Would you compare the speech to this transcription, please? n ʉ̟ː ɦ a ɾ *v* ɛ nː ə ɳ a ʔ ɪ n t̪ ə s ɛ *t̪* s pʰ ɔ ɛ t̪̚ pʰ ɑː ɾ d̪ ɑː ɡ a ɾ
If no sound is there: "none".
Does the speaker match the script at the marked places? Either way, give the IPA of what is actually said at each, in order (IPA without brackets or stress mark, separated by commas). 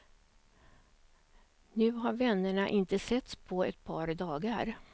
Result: v, t̪